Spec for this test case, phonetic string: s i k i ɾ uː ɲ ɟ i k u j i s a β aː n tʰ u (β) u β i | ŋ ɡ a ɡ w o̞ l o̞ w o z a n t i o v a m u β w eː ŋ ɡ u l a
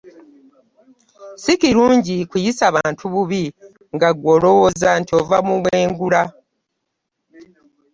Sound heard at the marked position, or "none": β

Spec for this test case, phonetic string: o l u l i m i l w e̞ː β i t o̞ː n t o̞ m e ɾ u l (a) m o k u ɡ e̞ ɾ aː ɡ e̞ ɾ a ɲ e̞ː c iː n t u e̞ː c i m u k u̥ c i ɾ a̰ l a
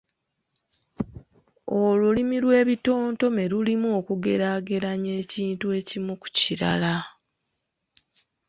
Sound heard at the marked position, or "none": i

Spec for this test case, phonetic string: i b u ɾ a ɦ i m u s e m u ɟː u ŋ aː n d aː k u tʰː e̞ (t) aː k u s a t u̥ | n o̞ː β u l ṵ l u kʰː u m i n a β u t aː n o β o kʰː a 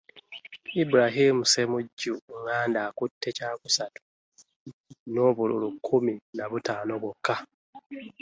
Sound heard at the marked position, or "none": c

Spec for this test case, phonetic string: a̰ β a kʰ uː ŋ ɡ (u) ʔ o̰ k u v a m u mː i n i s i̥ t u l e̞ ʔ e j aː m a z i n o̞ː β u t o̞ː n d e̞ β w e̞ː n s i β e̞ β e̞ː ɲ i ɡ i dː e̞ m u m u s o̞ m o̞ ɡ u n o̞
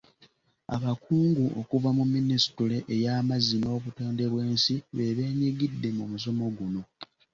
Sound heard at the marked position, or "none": u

